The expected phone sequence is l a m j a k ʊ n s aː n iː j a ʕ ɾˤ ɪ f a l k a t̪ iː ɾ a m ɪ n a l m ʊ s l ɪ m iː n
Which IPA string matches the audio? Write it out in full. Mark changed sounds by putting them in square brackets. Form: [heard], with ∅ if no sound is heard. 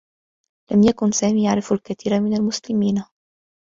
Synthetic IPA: l a m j a k ʊ n s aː [m] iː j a ʕ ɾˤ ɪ f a l k a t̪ iː ɾ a m ɪ n a l m ʊ s l ɪ m iː n